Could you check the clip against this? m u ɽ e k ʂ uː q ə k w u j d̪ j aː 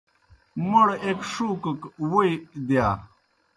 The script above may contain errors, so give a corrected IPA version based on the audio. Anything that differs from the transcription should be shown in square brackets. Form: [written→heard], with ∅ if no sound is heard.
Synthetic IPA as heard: m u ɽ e k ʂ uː [q→k] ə k w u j d̪ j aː